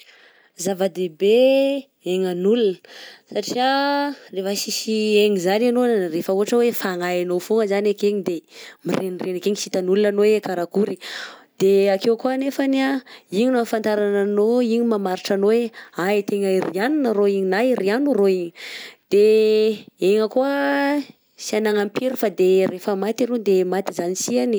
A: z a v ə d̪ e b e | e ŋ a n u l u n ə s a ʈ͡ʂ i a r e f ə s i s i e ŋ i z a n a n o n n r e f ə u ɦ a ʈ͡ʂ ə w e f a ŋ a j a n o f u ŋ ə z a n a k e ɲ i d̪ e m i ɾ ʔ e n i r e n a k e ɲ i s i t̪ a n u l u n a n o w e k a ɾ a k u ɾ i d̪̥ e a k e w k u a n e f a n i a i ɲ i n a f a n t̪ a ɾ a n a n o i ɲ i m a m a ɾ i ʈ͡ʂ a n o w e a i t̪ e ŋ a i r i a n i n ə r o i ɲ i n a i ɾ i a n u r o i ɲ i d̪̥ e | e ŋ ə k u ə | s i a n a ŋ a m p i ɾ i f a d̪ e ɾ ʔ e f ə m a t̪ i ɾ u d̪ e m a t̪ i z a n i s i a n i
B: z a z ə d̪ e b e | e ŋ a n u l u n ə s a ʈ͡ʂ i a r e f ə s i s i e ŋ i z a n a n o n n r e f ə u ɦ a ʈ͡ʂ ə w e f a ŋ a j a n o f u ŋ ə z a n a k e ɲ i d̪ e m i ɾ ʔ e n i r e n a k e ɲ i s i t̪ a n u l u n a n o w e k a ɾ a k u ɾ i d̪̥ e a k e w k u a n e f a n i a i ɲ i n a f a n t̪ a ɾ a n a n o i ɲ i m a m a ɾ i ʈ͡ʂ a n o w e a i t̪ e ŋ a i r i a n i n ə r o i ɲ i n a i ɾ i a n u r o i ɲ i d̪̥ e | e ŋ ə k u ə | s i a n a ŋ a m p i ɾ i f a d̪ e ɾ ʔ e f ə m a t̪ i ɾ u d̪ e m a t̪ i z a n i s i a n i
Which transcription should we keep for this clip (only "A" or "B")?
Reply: A